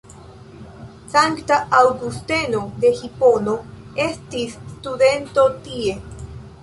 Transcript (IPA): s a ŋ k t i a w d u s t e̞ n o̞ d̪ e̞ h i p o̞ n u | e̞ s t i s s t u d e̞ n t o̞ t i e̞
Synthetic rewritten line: s a ŋ k t a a w ɡ u s t e̞ n o̞ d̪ e̞ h i p o̞ n o | e̞ s t i s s t u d e̞ n t o̞ t i e̞